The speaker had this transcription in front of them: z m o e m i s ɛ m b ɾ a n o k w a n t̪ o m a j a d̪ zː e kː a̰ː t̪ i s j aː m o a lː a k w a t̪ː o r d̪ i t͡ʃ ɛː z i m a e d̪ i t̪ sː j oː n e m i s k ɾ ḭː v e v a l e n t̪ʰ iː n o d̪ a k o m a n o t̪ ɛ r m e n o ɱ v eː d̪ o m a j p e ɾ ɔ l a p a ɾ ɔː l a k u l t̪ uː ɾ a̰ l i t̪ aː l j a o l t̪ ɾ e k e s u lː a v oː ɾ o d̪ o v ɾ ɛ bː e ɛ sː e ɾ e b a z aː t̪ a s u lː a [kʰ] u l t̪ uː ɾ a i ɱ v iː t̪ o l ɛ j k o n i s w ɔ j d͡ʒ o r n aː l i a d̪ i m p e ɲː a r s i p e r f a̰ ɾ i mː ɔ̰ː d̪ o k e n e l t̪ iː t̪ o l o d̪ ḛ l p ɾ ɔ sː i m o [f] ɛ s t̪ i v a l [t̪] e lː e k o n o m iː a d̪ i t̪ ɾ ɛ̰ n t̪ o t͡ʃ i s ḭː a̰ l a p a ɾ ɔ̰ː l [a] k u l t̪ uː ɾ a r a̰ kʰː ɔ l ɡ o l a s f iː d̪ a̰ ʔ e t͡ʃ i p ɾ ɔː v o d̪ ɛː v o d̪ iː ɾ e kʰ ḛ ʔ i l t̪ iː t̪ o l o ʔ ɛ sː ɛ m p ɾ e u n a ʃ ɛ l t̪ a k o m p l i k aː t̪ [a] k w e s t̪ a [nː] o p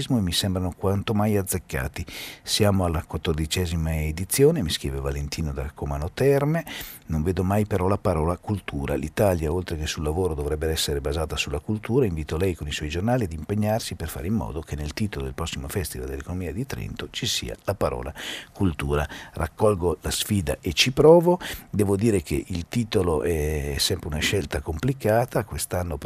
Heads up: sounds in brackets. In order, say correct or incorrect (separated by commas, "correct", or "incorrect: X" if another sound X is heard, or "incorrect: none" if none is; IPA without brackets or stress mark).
incorrect: k, correct, incorrect: d̪, correct, correct, correct